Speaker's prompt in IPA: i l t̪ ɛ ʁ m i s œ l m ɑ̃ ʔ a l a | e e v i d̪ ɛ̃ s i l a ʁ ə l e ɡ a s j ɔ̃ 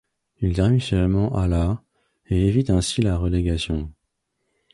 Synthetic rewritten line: i l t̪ ɛ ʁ m i s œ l m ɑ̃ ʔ a l a | e e v i t̪ ɛ̃ s i l a ʁ ə l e ɡ a s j ɔ̃